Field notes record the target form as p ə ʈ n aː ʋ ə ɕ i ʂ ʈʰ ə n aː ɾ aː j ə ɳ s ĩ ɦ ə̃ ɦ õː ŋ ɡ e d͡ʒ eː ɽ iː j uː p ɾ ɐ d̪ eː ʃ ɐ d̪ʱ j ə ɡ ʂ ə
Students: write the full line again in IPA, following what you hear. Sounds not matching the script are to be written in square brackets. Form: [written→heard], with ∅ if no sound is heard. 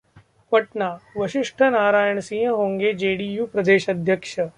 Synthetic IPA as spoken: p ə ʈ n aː ʋ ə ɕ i ʂ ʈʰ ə n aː ɾ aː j ə ɳ s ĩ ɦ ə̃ ɦ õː ŋ ɡ e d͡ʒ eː ɽ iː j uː p ɾ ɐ d̪ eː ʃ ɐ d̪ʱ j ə [ɡ→k] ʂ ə